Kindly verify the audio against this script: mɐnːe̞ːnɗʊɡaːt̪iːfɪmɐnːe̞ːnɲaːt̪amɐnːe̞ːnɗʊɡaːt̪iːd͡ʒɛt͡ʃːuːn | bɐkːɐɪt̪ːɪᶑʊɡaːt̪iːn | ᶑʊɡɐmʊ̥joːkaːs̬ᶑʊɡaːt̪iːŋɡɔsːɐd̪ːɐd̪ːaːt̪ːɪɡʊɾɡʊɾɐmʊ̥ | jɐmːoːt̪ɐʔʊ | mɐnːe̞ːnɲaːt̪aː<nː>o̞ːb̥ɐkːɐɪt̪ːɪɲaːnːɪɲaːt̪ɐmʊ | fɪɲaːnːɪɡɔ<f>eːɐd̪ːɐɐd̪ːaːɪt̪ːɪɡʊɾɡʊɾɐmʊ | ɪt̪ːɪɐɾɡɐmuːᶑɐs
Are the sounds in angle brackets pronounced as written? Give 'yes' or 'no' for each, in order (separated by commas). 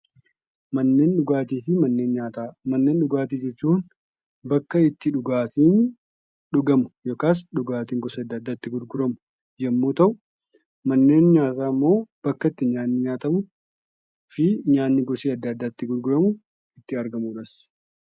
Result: no, no